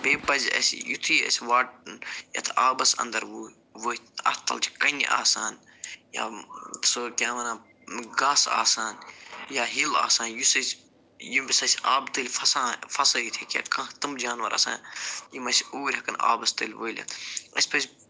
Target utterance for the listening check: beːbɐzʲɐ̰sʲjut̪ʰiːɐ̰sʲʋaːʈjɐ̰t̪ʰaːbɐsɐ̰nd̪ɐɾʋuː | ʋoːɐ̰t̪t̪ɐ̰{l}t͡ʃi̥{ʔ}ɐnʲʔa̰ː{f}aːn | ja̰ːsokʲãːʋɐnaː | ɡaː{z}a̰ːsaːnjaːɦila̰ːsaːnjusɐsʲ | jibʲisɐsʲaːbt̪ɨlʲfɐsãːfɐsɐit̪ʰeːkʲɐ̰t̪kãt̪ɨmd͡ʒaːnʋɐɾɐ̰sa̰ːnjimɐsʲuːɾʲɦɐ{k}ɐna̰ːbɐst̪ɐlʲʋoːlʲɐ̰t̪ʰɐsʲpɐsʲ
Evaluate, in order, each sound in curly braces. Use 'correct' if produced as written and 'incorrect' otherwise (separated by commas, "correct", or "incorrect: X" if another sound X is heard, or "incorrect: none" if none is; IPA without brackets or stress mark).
correct, incorrect: k, incorrect: s, incorrect: s, correct